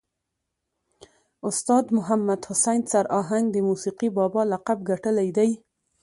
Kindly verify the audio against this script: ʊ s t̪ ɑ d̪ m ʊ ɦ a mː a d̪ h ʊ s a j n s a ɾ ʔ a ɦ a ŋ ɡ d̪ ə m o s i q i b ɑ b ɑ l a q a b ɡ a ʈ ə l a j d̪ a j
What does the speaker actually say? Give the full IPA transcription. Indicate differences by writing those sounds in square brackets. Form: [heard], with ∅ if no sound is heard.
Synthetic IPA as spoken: ʊ s t̪ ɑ d̪ m ʊ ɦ a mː a d̪ h ʊ s a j n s a ɾ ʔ [ɑ] ɦ a ŋ ɡ d̪ ə m [u] s i q i b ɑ b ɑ l a q a b ɡ a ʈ ə l a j d̪ a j